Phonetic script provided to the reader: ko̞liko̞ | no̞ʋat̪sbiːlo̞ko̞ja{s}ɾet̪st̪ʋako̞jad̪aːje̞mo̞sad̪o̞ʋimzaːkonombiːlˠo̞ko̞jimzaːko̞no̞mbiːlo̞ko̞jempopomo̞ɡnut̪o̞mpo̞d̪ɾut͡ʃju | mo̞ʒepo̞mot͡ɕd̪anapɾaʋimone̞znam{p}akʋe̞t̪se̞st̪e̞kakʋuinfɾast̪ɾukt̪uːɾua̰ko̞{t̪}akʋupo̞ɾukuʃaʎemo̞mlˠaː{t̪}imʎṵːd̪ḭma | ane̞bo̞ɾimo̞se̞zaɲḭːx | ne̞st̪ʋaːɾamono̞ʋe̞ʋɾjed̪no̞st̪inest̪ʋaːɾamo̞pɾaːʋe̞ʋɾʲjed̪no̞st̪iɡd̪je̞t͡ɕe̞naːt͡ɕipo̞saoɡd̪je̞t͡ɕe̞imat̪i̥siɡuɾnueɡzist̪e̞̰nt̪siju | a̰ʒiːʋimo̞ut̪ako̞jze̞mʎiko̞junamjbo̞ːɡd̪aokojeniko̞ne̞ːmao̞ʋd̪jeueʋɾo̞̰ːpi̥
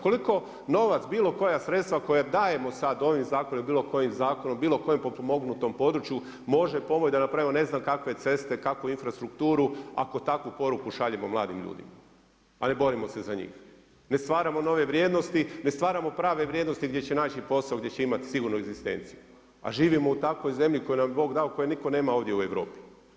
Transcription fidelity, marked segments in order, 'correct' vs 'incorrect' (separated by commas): correct, incorrect, correct, incorrect